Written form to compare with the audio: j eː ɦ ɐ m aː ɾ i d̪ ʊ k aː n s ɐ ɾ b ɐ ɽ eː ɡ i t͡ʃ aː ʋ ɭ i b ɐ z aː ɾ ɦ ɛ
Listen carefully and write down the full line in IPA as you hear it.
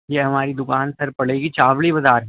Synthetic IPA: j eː ɦ ɐ m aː ɾ i d̪ ʊ k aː n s ɐ ɾ p ɐ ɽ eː ɡ i t͡ʃ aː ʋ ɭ i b ɐ z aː ɾ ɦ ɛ

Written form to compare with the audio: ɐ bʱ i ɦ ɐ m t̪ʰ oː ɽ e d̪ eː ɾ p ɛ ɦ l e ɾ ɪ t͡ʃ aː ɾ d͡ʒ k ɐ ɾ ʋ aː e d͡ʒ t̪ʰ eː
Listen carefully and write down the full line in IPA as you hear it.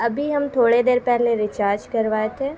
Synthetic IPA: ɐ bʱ i ɦ ɐ m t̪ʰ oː ɽ e d̪ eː ɾ p ɛ ɦ l e ɾ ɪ t͡ʃ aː ɾ d͡ʒ k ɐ ɾ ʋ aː e t̪ʰ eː

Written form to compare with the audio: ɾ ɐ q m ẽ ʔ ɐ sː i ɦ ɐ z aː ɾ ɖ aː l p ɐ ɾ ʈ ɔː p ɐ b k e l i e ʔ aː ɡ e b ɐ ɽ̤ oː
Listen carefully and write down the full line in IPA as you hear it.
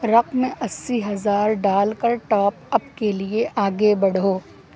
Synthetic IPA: ɾ ɐ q m ẽ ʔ ɐ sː i ɦ ɐ z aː ɾ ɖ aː l k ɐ ɾ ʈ ɔː p ɐ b k e l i e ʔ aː ɡ e b ɐ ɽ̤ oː

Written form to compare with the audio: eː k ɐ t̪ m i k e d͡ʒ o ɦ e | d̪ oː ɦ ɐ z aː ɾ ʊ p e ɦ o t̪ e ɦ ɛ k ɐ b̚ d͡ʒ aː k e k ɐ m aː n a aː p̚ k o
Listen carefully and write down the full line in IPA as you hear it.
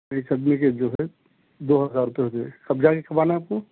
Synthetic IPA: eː k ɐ d̪ m i k e d͡ʒ o ɦ ɛ | d̪ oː ɦ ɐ z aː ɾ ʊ p e ɦ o t̪ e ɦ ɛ k ɐ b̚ d͡ʒ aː k e k ɐ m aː n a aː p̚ k o

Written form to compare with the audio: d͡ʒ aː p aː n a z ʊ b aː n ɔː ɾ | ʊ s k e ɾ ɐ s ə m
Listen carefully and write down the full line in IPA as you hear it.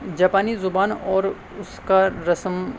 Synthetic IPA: d͡ʒ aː p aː n i z ʊ b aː n ɔː ɾ | ʊ s k a ɾ ɐ s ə m

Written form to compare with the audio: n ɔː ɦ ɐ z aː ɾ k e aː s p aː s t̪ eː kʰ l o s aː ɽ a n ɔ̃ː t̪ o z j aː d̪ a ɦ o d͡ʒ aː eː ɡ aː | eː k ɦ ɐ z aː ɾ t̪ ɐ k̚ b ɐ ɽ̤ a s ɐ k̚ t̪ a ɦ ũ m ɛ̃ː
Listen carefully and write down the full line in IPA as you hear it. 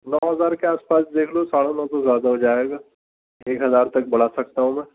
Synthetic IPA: n ɔː ɦ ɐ z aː ɾ k e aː s p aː s d̪ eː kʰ l o s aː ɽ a n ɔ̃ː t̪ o z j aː d̪ a ɦ o d͡ʒ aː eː ɡ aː | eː k ɦ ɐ z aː ɾ t̪ ɐ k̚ b ɐ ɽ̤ a s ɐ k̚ t̪ a ɦ ũ m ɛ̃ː

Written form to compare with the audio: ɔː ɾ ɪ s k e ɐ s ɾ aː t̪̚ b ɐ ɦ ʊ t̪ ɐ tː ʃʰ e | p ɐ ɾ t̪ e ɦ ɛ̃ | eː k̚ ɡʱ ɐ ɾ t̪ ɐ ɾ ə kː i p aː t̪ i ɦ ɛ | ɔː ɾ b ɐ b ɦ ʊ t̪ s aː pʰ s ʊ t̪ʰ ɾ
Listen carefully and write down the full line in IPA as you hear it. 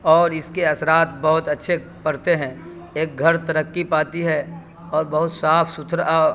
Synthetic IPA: ɔː ɾ ɪ s k e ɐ s ɾ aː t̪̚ b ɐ ɦ ʊ t̪ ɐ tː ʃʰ e | p ɐ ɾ t̪ e ɦ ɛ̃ | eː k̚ ɡʱ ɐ ɾ t̪ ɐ ɾ ə kː i p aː t̪ i ɦ ɛ | ɔː ɾ b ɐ ɦ ʊ t̪ s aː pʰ s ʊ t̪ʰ ɾ

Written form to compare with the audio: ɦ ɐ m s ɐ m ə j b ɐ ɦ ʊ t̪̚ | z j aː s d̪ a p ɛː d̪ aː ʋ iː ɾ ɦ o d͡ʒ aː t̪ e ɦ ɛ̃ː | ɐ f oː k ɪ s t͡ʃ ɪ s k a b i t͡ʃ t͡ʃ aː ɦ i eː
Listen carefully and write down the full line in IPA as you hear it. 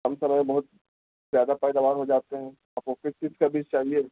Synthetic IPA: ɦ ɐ m s ɐ m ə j b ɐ ɦ ʊ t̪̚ | z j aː d̪ a p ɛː d̪ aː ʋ aː ɾ ɦ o d͡ʒ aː t̪ e ɦ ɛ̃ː | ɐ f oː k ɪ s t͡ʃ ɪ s k a b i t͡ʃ t͡ʃ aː ɦ i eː

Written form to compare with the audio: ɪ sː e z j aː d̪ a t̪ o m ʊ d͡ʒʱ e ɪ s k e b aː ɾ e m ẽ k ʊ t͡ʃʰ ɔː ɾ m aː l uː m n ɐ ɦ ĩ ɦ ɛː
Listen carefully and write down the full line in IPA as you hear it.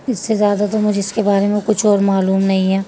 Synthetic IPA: ɪ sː e z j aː d̪ a t̪ o m ʊ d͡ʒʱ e ɪ s k e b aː ɾ e m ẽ k ʊ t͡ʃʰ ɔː ɾ m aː l uː m n ɐ ɦ ĩ ɦ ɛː

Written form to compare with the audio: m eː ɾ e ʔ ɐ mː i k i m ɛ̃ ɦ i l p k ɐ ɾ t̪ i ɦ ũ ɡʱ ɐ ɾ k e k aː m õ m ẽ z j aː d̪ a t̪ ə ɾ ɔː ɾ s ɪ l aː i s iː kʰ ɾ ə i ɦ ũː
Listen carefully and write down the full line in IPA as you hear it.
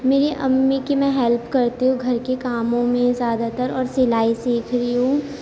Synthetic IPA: m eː ɾ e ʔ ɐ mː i k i m ɛ̃ ɦ ɛ l p k ɐ ɾ t̪ i ɦ ũ ɡʱ ɐ ɾ k e k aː m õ m ẽ z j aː d̪ a t̪ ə ɾ ɔː ɾ s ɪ l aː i s iː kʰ ɾ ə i ɦ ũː

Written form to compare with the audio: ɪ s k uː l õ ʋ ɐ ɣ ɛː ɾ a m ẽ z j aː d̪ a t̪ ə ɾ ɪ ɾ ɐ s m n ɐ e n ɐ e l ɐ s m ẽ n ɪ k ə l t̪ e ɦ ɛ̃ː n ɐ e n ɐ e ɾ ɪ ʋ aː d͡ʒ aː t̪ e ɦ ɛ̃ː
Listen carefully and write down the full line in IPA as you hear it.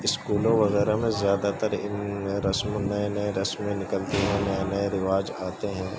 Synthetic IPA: ɪ s k uː l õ ʋ ɐ ɣ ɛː ɾ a m ẽ z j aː d̪ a t̪ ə ɾ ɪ ɾ ɐ s m n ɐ e n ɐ e ɾ ɐ s m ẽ n ɪ k ə l t̪ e ɦ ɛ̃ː n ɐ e n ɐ e ɾ ɪ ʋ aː d͡ʒ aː t̪ e ɦ ɛ̃ː

